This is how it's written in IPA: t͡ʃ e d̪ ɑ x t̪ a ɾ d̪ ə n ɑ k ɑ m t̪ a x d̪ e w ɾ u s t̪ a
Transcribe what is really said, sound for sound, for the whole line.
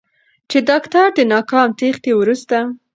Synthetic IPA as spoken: t͡ʃ e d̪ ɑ k t̪ a ɾ d̪ ə n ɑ k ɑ m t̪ e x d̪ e w ɾ u s t̪ a